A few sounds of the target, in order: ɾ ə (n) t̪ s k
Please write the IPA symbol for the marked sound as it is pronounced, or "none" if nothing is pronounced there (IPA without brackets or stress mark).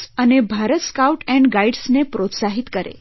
none